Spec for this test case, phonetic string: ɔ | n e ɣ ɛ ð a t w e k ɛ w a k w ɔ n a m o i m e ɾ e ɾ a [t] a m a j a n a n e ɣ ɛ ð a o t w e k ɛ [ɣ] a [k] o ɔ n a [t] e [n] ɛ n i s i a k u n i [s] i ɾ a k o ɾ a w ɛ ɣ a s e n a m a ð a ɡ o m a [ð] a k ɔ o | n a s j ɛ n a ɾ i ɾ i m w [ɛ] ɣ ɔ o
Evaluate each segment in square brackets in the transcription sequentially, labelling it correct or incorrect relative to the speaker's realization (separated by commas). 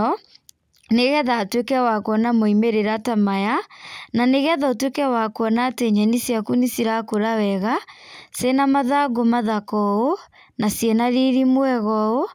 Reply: correct, incorrect, correct, correct, incorrect, correct, correct, correct